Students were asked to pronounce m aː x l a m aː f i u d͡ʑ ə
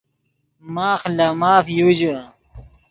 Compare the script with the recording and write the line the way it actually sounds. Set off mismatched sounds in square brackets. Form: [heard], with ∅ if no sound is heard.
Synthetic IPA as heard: m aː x l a m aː f [j] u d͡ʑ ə

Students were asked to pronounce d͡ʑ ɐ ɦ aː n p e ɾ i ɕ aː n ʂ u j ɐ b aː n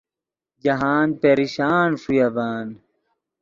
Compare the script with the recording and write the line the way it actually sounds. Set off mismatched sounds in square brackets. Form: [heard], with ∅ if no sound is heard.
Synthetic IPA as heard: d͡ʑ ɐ ɦ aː n p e ɾ i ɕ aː n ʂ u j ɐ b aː n

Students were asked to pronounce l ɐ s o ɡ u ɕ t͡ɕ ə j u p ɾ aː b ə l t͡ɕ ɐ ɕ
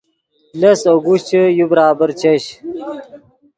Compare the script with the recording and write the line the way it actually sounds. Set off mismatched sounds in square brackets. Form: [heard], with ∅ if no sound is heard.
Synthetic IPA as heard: l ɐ s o ɡ u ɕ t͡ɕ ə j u [b] ɾ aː b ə [ɾ] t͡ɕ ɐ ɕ

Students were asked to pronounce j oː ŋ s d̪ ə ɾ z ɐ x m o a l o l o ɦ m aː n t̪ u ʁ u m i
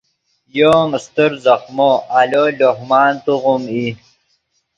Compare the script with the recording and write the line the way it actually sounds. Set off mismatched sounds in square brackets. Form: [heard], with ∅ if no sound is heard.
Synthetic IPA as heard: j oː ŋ s [t̪] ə ɾ z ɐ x m o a l o l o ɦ m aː n t̪ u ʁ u m i

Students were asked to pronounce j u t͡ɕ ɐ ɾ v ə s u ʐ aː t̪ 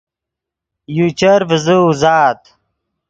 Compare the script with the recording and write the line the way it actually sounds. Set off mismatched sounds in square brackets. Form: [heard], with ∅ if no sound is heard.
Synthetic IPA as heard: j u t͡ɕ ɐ ɾ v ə [z] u [z] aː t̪

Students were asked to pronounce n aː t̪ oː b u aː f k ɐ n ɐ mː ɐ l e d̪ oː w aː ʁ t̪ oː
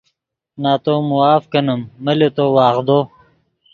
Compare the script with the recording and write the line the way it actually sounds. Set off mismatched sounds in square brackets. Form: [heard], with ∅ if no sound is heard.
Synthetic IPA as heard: n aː t̪ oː [m] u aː f k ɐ n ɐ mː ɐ l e [t̪] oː w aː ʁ [d̪] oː

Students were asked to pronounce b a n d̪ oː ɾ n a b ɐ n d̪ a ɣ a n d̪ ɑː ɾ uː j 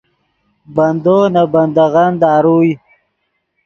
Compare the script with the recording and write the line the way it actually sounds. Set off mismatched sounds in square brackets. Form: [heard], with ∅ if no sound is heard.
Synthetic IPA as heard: b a n d̪ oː [∅] n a b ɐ n d̪ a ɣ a n d̪ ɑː ɾ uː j

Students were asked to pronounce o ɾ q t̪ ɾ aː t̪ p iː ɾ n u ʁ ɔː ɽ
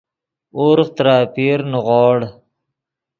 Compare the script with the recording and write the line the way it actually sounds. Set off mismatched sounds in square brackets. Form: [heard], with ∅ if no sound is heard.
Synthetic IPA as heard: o ɾ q t̪ ɾ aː [∅] p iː ɾ n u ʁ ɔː ɽ

